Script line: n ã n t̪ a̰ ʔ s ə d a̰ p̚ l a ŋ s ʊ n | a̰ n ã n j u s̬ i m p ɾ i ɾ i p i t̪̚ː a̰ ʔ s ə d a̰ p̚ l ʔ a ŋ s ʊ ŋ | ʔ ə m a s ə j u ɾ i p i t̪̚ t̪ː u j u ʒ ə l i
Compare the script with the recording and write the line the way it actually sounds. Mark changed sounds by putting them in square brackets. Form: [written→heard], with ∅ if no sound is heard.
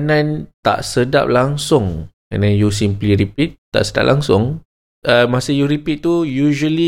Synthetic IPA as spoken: n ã n t̪ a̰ ʔ s ə d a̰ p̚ l a ŋ s ʊ [n→ŋ] | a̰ n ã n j u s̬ i m p [ɾ→l] i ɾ i p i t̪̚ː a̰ ʔ s ə d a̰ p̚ l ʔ a ŋ s ʊ ŋ | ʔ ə m a s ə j u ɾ i p i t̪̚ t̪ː u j u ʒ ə l i